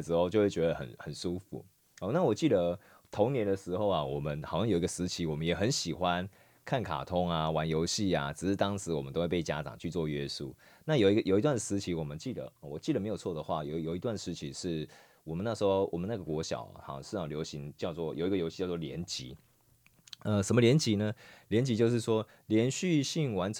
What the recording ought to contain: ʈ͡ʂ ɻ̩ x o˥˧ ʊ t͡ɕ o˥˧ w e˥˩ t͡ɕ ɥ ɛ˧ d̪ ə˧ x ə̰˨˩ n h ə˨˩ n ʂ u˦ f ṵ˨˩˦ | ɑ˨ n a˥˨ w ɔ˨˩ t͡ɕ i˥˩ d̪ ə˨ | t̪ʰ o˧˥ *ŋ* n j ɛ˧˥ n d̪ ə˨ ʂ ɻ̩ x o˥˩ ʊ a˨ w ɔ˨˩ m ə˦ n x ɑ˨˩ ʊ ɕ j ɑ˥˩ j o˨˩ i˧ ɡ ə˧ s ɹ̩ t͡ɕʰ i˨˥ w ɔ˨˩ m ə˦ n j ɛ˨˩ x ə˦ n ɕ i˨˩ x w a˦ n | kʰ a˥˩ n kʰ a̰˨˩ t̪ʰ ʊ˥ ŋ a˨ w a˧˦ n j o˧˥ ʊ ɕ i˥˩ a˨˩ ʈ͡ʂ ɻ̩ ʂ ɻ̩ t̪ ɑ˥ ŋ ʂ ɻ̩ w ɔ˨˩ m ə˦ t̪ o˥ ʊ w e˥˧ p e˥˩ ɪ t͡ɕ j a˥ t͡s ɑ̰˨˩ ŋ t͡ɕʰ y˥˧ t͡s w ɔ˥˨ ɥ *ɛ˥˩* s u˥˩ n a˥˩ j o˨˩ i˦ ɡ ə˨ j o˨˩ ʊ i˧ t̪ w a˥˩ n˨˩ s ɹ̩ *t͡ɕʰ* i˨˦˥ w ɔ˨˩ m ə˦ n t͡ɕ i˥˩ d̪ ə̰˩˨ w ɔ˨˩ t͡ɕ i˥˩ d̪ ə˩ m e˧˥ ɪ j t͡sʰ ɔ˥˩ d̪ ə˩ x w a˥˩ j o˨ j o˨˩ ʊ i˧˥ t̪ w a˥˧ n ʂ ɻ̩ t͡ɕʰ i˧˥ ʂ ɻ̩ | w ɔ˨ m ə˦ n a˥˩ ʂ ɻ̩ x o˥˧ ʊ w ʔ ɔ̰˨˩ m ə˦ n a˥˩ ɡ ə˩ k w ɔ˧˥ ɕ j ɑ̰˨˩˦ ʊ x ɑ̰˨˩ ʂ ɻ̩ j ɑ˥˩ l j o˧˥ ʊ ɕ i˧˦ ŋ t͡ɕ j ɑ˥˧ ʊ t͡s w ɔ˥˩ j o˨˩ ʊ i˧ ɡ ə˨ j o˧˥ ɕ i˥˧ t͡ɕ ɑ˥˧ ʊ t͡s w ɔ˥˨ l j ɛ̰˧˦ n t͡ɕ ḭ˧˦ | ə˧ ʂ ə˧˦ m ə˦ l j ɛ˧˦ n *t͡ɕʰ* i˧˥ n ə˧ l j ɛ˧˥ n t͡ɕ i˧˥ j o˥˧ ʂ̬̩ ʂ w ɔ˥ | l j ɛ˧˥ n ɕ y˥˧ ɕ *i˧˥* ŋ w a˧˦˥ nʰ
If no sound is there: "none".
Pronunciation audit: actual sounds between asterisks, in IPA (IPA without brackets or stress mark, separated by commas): ŋ, ɛ˦, t͡ɕʰ, t͡ɕ, i˥˩